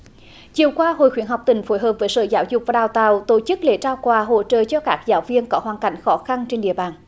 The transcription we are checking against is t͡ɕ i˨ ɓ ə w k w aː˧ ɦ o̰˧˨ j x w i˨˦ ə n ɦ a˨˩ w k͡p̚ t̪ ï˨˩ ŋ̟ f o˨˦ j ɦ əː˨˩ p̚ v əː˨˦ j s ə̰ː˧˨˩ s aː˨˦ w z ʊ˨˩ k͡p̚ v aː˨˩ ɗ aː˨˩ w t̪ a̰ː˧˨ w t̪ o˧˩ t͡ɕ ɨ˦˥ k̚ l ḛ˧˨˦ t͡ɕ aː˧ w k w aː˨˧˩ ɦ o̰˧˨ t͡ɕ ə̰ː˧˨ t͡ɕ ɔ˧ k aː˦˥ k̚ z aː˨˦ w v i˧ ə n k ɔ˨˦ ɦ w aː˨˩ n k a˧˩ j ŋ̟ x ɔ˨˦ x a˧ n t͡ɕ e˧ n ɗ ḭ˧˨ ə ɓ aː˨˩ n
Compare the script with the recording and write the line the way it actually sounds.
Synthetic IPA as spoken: t͡ɕ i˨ ə w k w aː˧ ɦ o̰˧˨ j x w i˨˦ ə n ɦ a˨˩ w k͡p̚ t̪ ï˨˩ ŋ̟ f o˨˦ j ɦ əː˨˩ p̚ v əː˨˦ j s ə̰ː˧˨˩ z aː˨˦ w z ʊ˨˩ k͡p̚ v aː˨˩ ɗ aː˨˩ w t̪ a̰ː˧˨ w t̪ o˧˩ t͡ɕ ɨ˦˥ k̚ l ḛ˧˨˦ t͡ɕ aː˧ w k w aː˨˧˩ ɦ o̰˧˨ t͡ɕ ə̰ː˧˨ t͡ɕ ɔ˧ k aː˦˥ k̚ z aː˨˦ w v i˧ ə n k ɔ˨˦ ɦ w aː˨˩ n k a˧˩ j ŋ̟ x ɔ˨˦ x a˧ n t͡ɕ e˧ n ɗ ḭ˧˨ ə ɓ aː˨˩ n